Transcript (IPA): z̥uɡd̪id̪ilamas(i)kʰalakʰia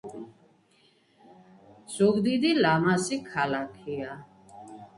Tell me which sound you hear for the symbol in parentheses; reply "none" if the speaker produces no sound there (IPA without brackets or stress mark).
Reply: i